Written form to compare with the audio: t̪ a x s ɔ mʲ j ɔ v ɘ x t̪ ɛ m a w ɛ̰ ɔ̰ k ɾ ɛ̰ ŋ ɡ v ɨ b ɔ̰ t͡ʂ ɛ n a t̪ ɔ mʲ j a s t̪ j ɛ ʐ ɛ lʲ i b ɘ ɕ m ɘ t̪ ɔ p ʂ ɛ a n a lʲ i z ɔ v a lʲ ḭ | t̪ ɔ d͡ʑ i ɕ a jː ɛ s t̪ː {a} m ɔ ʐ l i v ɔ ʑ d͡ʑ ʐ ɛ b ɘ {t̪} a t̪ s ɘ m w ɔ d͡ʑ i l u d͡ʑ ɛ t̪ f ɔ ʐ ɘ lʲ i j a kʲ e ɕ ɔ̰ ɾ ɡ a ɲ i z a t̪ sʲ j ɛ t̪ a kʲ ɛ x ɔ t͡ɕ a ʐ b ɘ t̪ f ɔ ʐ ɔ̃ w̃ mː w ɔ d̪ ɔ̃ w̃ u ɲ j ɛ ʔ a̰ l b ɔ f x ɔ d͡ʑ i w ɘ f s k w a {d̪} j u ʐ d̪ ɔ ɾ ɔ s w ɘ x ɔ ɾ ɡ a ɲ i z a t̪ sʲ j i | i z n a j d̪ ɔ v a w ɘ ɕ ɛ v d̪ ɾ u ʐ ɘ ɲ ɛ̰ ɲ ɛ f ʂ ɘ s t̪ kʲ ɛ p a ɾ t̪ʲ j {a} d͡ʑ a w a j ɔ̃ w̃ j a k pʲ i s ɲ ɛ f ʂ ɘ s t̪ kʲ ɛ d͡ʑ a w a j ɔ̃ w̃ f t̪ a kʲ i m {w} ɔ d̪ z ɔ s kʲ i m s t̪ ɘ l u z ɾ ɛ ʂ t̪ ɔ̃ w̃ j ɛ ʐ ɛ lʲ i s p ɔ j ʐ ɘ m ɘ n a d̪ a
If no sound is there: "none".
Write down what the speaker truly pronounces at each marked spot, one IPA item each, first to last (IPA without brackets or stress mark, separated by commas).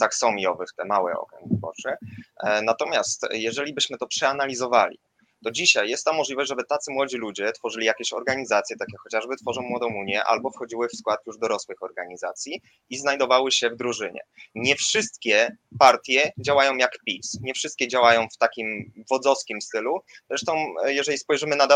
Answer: a, t̪, t̪, ɛ, v